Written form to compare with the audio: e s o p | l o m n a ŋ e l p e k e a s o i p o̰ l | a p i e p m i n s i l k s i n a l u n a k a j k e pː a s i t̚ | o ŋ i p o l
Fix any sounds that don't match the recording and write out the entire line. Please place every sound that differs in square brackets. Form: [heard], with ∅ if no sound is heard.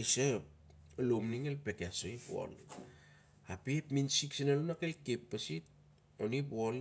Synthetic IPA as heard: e s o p | l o m n [i] ŋ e l p e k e a s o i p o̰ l | a p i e p m i n s i [∅] k s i n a l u n a k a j k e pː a s i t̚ | o [n] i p o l

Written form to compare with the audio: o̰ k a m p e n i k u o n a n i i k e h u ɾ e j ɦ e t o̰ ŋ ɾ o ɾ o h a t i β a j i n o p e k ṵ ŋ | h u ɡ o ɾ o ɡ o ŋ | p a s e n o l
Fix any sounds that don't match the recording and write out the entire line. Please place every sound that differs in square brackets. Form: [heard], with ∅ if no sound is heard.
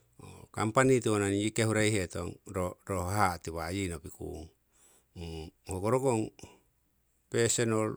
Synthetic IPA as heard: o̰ k a m p [a] n i [t] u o n a n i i k e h u ɾ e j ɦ e t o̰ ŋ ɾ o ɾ o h a t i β a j i n o p [i] k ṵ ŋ | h [o] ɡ o ɾ o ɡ o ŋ | p [e] s e n o l

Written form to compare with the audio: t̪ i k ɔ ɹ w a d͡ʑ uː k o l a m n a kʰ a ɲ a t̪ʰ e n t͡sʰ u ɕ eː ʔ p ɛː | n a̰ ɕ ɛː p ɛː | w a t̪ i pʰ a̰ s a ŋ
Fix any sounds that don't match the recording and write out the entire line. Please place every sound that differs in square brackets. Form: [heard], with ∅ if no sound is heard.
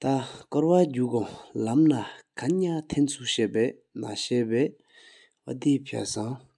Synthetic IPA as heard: t̪ [a] k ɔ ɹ w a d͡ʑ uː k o l a m n a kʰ a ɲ a t̪ʰ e n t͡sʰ u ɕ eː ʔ p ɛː | n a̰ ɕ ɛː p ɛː | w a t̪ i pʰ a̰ s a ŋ

